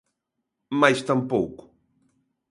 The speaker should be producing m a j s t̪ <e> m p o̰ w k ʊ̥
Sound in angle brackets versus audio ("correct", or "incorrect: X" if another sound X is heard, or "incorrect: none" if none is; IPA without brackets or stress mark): incorrect: a